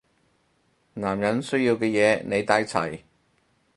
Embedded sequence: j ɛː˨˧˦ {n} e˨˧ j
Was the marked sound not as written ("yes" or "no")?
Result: no